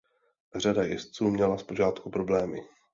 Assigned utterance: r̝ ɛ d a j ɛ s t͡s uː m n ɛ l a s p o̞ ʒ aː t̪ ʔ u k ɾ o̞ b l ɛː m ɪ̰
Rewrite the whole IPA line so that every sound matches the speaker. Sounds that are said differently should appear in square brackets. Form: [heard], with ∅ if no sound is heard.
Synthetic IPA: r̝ [a] d a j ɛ s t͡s uː m [ɲ] ɛ l a s p o̞ ʒ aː t̪ [k] u [p] ɾ o̞ b l ɛː m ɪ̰